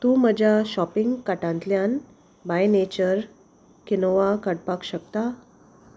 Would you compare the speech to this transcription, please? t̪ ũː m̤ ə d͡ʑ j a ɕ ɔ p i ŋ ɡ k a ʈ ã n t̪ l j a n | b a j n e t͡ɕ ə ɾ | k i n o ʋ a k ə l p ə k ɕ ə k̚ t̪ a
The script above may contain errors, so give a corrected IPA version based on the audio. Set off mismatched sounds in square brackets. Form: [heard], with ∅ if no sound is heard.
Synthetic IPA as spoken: t̪ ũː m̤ ə d͡ʑ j a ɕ ɔ p i ŋ ɡ k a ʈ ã n t̪ l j a n | b a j n e t͡ɕ ə ɾ | k i n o ʋ a k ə [ɽ] p [a] k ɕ ə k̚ t̪ a